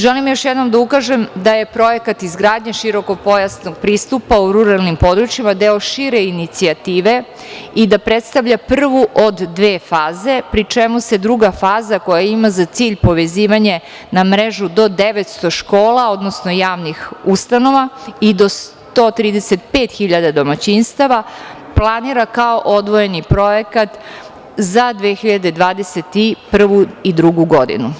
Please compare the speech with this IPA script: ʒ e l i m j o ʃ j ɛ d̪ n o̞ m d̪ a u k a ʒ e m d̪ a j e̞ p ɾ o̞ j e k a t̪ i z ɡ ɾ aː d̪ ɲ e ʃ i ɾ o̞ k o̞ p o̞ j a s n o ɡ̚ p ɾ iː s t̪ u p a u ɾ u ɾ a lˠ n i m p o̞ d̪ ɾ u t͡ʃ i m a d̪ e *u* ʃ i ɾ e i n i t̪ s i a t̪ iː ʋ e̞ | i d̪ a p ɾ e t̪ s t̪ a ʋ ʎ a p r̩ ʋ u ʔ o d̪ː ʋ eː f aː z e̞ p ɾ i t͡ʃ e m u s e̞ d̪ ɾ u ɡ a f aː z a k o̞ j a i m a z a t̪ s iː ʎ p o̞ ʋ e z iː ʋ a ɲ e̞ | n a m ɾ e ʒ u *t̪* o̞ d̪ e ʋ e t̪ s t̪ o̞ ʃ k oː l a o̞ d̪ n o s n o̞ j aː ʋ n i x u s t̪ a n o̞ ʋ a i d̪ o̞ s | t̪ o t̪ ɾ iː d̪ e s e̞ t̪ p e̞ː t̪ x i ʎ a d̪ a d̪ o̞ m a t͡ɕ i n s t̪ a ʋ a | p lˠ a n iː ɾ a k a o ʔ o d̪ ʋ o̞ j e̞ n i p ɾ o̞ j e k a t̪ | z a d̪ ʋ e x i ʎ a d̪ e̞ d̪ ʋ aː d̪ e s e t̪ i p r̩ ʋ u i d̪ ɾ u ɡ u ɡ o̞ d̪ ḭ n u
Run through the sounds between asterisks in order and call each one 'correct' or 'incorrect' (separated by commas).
incorrect, incorrect